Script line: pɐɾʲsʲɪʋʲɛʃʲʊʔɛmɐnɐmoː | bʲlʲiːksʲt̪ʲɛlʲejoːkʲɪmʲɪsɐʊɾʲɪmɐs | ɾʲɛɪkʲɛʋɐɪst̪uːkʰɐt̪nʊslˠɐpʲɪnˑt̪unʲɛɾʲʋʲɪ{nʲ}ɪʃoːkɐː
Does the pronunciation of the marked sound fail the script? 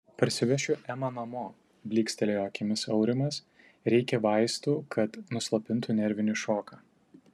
no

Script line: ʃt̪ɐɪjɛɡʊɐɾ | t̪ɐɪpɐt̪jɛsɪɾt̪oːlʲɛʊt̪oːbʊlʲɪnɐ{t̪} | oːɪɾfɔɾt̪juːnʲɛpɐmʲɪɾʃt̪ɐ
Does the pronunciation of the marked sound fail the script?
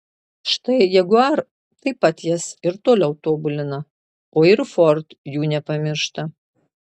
yes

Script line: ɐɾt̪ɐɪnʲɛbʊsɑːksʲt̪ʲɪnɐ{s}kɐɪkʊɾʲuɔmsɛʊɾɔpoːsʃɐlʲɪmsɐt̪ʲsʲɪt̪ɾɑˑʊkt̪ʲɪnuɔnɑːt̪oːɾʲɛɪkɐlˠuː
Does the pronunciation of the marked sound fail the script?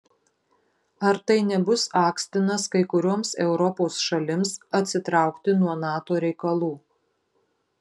no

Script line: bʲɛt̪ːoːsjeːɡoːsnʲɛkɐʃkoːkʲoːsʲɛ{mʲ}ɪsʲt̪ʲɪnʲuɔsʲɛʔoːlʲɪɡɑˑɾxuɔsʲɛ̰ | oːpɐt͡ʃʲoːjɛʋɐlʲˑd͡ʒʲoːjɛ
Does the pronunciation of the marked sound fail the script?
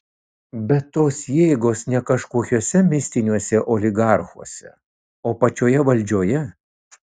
no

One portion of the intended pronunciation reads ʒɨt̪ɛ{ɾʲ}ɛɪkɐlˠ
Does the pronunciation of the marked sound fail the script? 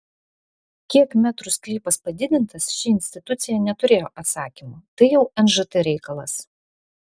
no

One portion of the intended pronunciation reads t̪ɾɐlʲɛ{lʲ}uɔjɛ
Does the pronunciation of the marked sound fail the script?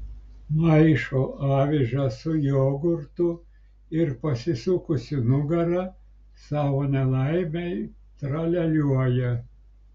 no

